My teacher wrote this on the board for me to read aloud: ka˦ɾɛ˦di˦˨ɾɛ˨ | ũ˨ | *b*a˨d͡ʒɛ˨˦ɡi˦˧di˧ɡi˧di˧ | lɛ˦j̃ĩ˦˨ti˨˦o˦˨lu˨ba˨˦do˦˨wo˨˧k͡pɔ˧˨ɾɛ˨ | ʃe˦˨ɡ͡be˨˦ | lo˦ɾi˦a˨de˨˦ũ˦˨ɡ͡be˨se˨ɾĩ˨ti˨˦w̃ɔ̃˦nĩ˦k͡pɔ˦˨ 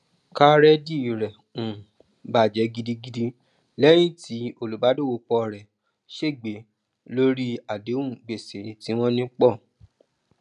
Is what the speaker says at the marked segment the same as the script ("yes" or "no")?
yes